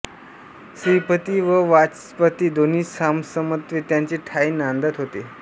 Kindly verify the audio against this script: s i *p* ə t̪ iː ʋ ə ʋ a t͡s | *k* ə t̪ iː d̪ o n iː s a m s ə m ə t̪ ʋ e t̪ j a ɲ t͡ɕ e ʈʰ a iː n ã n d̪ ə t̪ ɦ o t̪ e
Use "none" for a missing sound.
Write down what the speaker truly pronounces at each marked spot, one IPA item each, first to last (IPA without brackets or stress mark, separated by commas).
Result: p, p